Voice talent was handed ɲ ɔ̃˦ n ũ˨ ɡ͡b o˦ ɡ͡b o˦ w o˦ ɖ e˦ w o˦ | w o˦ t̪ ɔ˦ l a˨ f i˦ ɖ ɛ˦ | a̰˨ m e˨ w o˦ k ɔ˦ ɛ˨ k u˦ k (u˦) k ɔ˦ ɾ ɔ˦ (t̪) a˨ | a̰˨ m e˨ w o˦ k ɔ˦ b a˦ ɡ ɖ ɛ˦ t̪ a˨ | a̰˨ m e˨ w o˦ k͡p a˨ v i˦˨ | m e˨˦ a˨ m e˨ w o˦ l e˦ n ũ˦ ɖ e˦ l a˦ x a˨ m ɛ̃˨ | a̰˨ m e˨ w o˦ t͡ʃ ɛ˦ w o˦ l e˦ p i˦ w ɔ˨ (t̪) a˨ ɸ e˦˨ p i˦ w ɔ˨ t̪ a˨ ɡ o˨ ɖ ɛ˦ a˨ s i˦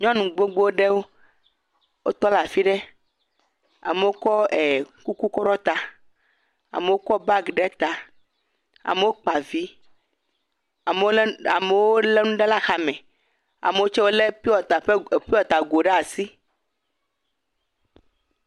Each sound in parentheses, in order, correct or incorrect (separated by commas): correct, correct, correct